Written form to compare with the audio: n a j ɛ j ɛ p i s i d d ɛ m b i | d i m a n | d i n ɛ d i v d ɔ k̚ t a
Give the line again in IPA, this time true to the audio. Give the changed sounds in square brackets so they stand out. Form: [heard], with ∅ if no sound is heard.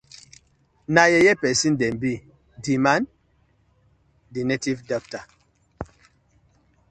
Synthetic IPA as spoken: n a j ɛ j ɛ p [ɛ] s i [n] d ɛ m b i | d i m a n | d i n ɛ [t] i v d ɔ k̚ t a